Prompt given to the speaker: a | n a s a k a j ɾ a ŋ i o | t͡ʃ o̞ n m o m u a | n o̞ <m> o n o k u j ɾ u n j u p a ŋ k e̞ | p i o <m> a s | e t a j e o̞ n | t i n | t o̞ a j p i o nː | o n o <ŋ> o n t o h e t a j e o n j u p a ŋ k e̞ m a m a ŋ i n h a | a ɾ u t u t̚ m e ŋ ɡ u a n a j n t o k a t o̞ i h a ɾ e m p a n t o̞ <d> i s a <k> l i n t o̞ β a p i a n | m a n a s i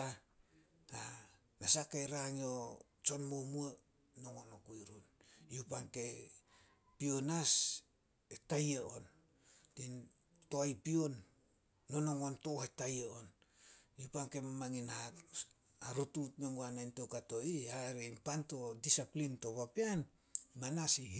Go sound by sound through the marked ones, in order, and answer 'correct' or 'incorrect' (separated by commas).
incorrect, incorrect, correct, correct, incorrect